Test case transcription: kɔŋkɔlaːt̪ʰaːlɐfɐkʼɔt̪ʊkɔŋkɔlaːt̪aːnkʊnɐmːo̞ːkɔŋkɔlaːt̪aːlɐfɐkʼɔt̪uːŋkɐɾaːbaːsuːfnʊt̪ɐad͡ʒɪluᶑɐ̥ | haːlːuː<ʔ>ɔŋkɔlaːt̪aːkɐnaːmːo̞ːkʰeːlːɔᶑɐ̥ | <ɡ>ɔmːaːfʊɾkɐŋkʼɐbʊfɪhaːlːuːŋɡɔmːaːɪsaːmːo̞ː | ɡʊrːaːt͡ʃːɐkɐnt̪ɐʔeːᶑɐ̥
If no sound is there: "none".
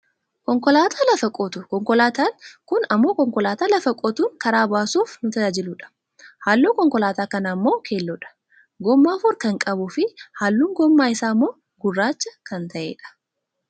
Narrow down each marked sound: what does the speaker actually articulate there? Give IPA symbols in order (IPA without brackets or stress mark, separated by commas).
k, ɡ